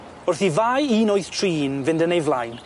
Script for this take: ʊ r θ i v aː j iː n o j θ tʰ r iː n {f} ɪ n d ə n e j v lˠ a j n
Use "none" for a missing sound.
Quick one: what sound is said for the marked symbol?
v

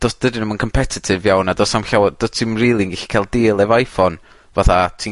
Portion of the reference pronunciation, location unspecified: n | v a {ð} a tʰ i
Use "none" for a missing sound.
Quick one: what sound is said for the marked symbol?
θ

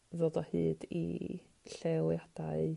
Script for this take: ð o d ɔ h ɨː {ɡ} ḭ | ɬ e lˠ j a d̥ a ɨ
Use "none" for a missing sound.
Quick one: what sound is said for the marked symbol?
d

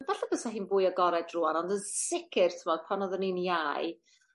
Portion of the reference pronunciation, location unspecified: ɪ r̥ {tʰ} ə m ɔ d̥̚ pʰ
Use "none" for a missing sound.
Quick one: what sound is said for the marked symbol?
tʰ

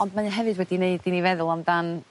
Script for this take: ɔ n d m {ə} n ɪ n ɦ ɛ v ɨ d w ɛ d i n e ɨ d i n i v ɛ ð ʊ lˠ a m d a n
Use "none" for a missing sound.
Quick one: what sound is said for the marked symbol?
a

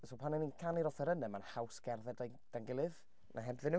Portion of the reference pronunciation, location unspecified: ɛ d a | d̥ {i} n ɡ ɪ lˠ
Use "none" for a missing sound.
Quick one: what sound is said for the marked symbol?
a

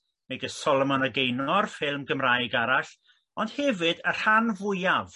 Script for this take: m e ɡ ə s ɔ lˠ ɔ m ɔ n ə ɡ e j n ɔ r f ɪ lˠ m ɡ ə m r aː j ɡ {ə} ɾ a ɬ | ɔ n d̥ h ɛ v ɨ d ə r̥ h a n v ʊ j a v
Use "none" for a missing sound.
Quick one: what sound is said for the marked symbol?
a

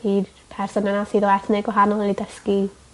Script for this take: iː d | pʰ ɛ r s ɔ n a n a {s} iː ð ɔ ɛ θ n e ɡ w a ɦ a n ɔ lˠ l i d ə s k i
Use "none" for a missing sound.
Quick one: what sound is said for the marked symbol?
s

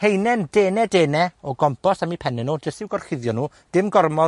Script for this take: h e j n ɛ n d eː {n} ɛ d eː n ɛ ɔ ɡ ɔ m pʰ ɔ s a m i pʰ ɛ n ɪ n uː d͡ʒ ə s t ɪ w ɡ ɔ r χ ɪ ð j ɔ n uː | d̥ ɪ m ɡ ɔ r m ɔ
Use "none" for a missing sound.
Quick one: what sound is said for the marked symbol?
n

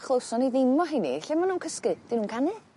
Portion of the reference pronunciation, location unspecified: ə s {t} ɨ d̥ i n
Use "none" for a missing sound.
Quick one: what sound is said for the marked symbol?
k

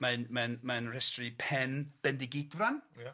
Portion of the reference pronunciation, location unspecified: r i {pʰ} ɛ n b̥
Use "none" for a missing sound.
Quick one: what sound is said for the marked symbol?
pʰ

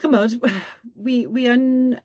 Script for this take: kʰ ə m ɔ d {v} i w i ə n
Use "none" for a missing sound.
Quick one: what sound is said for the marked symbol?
w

